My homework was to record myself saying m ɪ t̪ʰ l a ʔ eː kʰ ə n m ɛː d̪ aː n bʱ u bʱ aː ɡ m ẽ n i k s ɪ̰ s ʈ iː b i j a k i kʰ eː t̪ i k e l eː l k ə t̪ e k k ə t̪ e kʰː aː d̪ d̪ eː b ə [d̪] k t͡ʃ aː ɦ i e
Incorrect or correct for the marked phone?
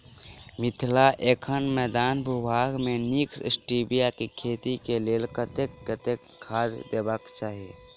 incorrect: none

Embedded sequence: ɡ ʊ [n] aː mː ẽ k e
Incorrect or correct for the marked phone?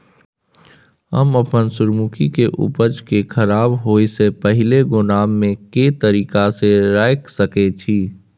correct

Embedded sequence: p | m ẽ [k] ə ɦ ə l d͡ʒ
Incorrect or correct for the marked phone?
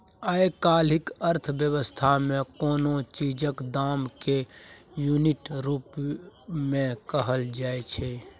correct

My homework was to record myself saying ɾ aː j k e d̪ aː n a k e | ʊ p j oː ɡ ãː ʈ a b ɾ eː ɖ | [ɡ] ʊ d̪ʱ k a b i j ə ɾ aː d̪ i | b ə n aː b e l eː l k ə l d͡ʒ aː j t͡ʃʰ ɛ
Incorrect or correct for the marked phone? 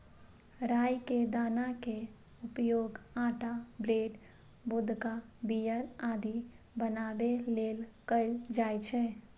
incorrect: b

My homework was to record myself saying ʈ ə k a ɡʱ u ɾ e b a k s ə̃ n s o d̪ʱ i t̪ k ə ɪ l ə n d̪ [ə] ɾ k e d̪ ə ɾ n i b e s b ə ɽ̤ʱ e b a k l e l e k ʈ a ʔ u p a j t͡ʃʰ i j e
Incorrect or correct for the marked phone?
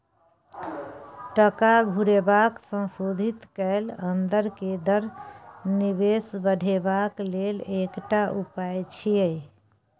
correct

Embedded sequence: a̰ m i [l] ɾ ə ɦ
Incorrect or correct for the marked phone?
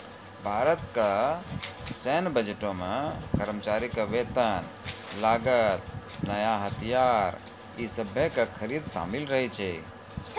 correct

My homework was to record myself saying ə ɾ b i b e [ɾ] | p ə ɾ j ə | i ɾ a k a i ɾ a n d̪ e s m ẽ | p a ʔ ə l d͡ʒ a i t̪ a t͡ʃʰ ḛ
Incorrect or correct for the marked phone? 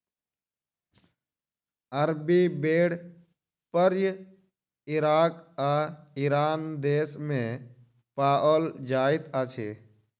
incorrect: ɽ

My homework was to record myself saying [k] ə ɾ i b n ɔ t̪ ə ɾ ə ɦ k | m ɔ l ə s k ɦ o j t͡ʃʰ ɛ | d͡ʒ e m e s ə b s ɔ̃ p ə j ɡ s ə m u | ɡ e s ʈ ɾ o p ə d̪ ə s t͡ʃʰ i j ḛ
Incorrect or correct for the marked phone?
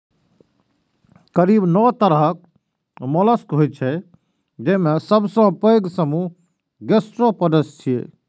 correct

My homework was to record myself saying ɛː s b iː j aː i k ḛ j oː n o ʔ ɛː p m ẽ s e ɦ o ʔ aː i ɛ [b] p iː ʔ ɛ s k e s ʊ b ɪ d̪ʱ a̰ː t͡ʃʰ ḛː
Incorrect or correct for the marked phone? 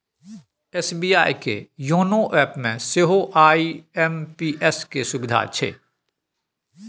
incorrect: m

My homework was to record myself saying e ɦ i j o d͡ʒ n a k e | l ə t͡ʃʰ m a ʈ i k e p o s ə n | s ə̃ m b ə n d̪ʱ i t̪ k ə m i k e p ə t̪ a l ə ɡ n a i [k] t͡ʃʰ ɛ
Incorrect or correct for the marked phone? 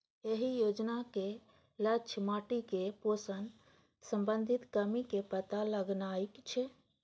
correct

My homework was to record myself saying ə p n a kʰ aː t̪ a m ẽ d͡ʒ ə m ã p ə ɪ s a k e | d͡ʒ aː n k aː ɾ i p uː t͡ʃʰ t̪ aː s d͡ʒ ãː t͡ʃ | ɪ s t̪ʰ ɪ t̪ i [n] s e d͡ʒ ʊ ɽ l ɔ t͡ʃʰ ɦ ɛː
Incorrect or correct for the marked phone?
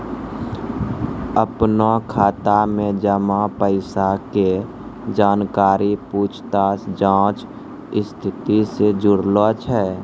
incorrect: none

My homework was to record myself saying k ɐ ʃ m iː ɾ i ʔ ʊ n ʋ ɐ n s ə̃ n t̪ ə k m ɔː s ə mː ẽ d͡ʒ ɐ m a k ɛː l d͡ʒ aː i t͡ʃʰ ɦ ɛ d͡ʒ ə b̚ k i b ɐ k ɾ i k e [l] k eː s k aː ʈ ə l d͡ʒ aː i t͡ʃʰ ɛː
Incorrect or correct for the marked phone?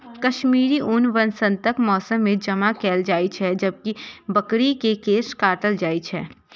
incorrect: none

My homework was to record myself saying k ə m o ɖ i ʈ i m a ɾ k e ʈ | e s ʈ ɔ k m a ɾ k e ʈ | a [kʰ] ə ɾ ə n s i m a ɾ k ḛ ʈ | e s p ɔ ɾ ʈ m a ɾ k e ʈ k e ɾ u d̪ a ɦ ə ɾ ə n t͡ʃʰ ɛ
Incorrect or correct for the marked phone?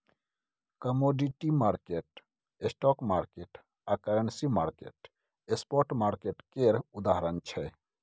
incorrect: k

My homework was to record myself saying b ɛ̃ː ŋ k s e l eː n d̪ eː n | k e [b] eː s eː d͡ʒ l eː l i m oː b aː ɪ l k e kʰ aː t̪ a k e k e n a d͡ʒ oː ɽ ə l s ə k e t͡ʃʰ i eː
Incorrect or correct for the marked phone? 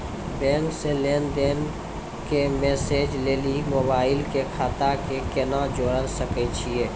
incorrect: m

